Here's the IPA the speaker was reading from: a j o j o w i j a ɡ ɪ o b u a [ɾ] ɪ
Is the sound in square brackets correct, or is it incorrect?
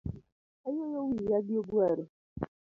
correct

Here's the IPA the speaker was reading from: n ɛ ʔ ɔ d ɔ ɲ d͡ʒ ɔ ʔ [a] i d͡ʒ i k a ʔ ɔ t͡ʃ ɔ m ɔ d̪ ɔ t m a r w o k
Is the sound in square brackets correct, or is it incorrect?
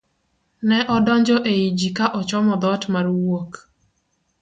incorrect: e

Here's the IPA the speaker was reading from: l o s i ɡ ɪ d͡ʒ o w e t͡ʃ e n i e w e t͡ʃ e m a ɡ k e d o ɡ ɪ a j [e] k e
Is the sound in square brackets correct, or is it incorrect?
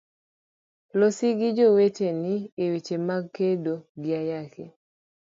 incorrect: a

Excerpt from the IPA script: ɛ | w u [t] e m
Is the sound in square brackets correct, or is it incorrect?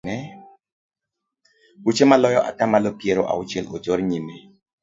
incorrect: t͡ʃ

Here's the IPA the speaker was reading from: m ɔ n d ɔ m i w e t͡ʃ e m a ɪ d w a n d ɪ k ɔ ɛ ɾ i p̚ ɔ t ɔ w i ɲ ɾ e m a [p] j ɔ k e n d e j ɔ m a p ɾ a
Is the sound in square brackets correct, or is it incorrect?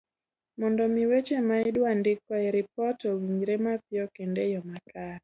correct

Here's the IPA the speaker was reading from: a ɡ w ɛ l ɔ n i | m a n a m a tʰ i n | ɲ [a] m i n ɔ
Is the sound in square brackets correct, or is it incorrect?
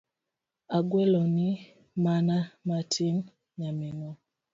correct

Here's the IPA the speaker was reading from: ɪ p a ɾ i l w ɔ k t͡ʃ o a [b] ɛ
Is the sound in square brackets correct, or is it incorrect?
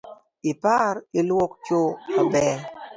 correct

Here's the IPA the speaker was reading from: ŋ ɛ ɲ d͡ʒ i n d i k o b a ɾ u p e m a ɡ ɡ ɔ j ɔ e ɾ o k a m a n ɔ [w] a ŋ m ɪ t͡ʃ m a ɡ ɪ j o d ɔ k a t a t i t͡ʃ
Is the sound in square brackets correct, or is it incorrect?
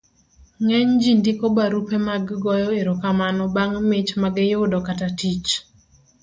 incorrect: b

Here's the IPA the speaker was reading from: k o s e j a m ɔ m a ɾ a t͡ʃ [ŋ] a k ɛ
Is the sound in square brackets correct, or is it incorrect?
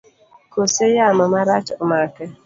incorrect: m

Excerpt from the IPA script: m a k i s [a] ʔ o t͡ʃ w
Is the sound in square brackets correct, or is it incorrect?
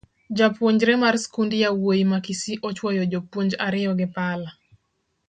incorrect: i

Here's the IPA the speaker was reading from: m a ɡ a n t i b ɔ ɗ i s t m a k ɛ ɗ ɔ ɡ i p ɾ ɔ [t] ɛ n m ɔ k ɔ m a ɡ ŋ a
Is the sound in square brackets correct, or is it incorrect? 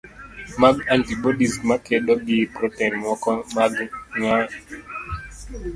correct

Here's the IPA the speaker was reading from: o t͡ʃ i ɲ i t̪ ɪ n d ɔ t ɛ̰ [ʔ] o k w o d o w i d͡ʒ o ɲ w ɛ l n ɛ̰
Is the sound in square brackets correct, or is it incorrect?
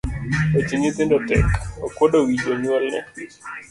incorrect: k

